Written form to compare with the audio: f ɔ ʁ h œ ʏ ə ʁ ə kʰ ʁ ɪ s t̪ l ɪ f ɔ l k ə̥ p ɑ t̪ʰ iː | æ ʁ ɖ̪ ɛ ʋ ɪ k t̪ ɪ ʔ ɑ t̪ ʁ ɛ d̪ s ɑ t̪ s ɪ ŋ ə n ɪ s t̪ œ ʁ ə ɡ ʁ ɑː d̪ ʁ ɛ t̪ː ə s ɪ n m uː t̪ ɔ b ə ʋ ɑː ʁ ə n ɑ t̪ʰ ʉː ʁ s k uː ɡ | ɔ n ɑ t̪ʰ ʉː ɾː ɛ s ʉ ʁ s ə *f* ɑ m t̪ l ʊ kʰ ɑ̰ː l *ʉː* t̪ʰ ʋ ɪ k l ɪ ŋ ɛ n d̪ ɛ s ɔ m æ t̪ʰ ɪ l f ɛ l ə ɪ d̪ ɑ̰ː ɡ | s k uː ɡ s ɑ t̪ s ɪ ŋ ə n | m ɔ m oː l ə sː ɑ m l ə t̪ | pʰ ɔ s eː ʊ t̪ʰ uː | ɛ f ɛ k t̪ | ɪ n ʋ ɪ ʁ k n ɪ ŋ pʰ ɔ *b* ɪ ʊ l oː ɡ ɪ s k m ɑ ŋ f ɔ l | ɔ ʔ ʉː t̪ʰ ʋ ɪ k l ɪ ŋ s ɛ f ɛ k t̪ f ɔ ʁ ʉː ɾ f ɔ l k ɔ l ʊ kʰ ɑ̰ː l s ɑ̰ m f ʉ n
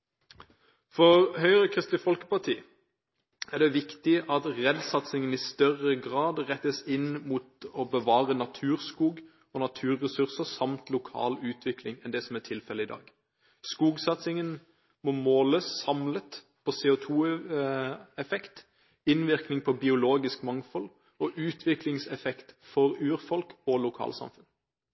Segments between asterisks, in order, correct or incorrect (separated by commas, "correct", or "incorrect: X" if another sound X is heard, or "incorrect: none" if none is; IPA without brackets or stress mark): incorrect: s, correct, correct